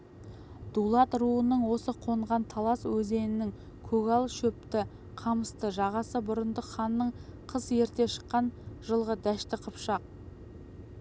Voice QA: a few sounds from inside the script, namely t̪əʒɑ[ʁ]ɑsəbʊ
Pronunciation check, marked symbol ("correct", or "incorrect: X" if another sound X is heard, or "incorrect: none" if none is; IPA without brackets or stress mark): correct